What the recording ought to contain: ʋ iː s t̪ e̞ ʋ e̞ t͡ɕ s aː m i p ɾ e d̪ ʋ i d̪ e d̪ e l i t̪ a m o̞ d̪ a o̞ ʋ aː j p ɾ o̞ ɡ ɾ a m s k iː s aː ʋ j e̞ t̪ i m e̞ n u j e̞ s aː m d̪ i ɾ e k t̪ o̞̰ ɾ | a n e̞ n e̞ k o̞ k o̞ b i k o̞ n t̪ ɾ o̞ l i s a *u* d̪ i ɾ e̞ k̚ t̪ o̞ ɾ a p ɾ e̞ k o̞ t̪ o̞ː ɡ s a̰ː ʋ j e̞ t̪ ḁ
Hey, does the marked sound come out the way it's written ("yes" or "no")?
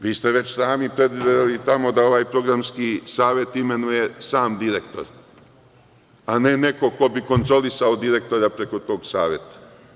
no